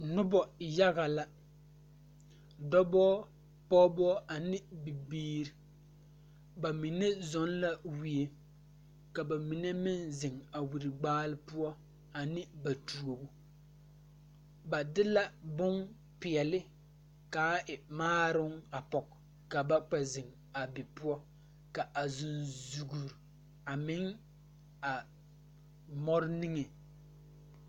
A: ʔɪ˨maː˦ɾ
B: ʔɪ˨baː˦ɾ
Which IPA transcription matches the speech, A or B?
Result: A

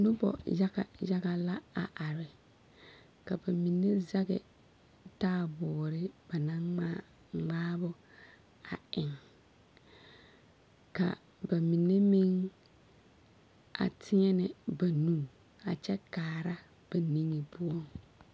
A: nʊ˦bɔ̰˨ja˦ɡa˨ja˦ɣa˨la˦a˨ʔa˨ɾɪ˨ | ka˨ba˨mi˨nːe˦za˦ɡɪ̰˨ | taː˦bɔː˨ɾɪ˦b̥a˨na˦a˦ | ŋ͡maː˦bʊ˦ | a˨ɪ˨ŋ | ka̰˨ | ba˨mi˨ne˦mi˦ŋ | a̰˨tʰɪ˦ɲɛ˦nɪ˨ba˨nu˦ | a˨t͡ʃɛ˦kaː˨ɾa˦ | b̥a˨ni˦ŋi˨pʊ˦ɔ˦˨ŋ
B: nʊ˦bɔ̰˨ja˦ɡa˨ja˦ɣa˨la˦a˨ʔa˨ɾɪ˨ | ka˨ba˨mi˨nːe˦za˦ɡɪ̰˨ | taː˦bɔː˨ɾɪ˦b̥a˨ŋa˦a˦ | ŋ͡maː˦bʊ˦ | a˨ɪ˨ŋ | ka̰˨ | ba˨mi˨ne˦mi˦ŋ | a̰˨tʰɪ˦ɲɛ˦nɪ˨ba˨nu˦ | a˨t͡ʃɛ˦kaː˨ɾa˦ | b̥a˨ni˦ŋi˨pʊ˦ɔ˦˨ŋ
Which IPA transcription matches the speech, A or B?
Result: A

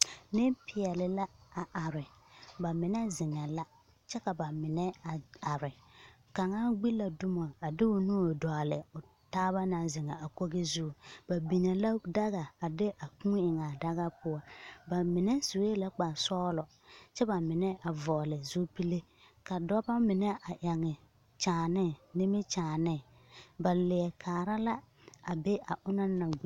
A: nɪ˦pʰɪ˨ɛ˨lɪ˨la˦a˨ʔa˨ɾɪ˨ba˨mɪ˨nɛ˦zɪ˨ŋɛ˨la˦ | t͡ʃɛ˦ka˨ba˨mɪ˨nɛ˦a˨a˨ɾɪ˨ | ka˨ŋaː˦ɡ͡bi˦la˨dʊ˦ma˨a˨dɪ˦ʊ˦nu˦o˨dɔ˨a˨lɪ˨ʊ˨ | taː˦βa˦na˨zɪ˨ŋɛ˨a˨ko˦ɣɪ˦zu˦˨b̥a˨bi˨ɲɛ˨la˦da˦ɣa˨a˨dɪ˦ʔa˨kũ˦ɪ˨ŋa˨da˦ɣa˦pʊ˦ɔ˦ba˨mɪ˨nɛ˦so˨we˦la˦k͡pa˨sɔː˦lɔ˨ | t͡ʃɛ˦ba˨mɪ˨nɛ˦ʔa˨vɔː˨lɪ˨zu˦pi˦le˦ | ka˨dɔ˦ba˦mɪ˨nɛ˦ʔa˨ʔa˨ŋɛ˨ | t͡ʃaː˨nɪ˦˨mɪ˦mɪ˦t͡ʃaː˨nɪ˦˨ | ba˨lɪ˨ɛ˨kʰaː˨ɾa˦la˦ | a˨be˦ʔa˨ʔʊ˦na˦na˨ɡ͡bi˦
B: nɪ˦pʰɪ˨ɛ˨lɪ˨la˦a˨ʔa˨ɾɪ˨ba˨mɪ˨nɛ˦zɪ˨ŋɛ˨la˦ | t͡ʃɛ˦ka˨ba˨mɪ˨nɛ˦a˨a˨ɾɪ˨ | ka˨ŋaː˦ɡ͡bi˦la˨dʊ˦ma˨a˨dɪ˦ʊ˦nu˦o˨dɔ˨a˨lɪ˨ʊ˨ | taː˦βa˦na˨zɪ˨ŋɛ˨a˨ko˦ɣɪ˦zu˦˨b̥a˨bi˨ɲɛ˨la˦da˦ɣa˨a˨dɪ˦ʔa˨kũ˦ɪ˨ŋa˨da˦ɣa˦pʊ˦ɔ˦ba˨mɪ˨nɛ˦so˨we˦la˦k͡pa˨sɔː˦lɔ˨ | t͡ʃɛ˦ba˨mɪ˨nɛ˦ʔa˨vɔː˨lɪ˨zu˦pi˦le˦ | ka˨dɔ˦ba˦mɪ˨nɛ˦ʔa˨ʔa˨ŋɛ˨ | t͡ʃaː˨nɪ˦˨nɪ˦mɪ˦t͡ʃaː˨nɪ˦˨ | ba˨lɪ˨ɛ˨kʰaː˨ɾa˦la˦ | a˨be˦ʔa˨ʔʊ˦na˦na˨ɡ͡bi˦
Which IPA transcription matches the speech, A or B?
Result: B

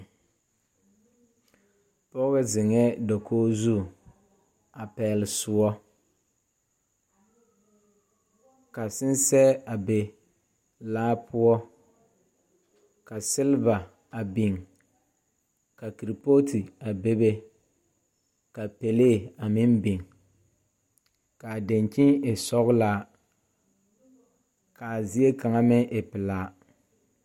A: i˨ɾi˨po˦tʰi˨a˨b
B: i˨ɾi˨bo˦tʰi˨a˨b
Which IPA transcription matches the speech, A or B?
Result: A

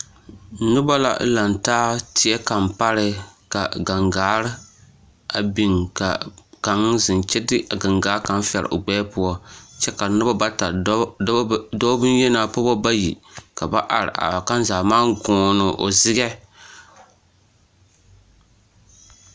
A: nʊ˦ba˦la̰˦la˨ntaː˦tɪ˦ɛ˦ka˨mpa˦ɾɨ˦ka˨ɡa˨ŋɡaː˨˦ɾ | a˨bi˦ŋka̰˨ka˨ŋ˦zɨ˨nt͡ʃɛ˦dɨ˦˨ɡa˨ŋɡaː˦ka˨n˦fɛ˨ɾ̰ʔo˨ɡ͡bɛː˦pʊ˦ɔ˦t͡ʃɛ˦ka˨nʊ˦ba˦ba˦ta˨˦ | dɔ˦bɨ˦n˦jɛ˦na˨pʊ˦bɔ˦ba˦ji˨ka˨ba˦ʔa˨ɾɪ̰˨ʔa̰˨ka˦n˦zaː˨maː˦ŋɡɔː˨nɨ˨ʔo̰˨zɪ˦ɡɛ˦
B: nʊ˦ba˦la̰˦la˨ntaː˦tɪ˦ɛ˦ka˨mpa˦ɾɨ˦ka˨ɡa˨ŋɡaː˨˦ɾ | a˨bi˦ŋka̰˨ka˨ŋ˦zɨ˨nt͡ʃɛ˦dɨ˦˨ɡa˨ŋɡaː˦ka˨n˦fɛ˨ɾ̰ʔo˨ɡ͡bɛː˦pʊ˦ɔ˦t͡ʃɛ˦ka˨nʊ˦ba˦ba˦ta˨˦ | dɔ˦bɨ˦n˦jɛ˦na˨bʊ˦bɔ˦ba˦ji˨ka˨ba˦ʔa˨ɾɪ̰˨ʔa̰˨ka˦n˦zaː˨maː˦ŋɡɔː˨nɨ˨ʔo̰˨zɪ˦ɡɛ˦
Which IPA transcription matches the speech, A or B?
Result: A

